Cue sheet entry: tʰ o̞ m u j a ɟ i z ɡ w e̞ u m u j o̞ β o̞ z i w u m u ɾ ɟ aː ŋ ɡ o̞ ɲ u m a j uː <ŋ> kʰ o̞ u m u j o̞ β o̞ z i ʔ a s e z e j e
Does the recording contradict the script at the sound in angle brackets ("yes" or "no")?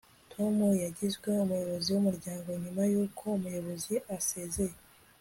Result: yes